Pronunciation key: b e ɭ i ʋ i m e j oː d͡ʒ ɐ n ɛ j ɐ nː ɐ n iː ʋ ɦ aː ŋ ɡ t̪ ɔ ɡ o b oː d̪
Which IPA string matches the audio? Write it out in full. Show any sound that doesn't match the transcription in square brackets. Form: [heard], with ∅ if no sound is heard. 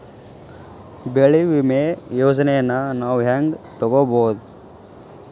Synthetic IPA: b e ɭ i ʋ i m e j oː d͡ʒ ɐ n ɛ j ɐ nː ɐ n [aː] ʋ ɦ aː ŋ ɡ t̪ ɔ ɡ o b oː d̪